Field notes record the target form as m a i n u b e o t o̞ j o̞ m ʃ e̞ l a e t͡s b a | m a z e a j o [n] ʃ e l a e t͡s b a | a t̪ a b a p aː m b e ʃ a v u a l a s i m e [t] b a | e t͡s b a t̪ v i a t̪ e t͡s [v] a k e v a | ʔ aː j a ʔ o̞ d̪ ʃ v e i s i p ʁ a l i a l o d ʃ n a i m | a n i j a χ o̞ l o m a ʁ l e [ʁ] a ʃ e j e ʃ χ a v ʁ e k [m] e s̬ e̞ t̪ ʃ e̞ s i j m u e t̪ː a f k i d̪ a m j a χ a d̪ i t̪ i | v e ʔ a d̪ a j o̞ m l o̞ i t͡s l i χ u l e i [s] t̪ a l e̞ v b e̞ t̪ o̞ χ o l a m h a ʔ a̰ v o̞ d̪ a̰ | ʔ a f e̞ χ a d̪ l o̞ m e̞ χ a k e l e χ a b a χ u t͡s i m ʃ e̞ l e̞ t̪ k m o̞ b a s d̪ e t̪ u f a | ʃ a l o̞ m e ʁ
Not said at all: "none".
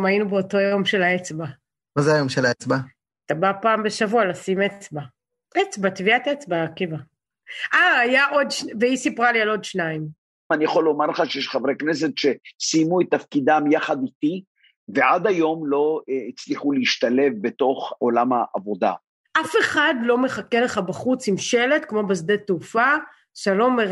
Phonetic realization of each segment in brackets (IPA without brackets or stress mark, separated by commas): m, t͡s, b, χ, n, ʃ